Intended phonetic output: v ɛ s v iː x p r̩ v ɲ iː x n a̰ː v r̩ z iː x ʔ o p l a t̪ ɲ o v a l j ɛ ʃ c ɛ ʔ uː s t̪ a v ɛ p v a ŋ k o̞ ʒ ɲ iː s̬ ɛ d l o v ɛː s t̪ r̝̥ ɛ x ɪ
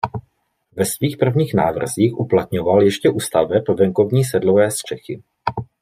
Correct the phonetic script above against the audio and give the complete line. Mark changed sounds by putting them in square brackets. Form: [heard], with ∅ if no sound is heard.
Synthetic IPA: v ɛ s v iː x p r̩ v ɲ iː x n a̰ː v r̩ z iː x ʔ [u] p l a t̪ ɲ o v a l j ɛ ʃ c ɛ ʔ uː s t̪ a v ɛ p v [ɛ] ŋ k o̞ [v] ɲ iː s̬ ɛ d l o v ɛː s t̪ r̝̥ ɛ x ɪ